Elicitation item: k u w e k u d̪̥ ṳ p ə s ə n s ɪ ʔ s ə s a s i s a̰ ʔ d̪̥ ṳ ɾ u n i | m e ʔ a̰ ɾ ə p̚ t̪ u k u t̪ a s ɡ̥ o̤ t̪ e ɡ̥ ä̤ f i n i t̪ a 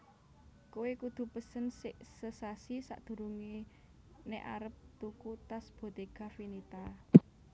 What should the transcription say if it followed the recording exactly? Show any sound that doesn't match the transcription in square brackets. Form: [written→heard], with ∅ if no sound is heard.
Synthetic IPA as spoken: k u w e k u d̪̥ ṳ p ə s ə n s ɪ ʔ s ə s a s i s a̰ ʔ d̪̥ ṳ ɾ u [n→ŋ] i | [m→n] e ʔ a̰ ɾ ə p̚ t̪ u k u t̪ a s [ɡ̥→b̥] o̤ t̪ e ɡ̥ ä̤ f i n i t̪ a

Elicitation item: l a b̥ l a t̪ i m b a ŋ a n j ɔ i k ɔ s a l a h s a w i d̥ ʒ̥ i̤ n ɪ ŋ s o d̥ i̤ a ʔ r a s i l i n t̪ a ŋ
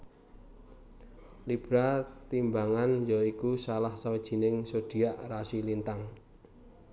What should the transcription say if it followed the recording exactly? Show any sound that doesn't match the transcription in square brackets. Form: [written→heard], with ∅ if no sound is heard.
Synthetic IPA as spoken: l [a→i] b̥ [l→ɾ] a t̪ i m b a ŋ a n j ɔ i k [ɔ→u] s a l a h s a w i d̥ ʒ̥ i̤ n ɪ ŋ s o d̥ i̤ a ʔ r a s i l i n t̪ a ŋ

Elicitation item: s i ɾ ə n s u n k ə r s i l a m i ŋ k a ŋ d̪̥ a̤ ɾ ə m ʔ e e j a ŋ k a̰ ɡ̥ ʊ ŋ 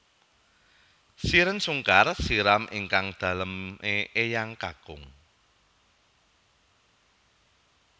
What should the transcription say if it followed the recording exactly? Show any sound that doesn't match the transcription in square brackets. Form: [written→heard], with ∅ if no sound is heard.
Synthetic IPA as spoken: s i ɾ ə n s u [n→ŋ] k [ə→a] r s i [l→ɾ] a m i ŋ k a ŋ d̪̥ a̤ [ɾ→l] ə m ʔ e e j a ŋ k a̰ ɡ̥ ʊ ŋ

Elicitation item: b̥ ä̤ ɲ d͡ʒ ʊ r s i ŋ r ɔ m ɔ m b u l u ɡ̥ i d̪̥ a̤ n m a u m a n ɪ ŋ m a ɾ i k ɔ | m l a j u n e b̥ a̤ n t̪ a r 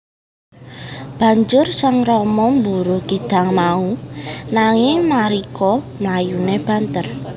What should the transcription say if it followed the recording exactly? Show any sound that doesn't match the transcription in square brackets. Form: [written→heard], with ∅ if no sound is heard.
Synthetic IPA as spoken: b̥ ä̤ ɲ d͡ʒ ʊ r s [i→a] ŋ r ɔ m ɔ m b u [l→ɾ] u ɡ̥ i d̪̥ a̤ [n→ŋ] m a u [m→n] a [n→ŋ] ɪ ŋ m a ɾ i k ɔ | m l a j u n e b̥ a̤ n t̪ [a→ə] r

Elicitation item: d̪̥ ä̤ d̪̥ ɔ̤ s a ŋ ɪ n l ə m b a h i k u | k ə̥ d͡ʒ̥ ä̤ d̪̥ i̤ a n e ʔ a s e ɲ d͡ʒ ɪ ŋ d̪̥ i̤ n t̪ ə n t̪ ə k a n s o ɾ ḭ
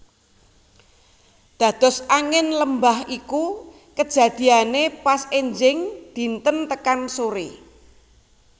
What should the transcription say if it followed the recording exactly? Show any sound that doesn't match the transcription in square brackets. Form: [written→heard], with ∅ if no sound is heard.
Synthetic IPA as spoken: d̪̥ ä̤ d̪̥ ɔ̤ s a ŋ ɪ n l ə m b a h i k u | k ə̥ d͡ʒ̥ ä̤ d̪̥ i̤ a n e [ʔ→p] a s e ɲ d͡ʒ ɪ ŋ d̪̥ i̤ n t̪ ə n t̪ ə k a n s o ɾ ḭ

